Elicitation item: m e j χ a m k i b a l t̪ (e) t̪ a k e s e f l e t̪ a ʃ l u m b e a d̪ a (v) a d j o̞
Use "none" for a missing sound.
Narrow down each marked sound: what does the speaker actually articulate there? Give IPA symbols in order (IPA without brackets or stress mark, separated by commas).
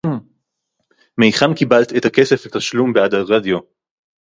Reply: e, ʁ